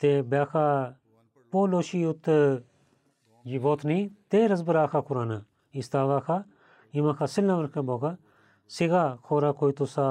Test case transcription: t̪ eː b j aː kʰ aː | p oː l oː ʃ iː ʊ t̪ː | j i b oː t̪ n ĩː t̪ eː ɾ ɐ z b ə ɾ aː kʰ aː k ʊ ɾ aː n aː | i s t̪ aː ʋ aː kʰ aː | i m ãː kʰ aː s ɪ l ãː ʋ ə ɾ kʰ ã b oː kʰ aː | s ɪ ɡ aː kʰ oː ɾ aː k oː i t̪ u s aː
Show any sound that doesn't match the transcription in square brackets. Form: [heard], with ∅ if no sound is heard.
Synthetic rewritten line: t̪ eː b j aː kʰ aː | p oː l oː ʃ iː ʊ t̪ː | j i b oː t̪ n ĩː t̪ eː ɾ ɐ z b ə ɾ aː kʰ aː k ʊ ɾ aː n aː | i s t̪ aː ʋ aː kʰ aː | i m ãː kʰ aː s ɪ l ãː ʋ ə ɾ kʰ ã b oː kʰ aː | s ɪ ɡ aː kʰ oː ɾ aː k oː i t̪ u s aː